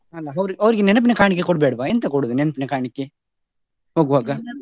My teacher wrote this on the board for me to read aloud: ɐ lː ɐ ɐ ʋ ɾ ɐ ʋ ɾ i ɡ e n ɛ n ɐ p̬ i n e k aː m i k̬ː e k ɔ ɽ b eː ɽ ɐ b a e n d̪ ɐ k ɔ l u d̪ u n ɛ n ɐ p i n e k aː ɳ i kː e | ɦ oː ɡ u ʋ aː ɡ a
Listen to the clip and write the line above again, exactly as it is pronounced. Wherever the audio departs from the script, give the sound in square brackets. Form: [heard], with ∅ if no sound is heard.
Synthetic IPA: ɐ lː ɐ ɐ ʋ ɾ ɐ ʋ ɾ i ɡ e n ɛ n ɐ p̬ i n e k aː [ɳ] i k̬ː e k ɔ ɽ b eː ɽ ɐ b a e n [t̪] ɐ k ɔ [ɽ] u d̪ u n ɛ n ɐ p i n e k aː ɳ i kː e | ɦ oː ɡ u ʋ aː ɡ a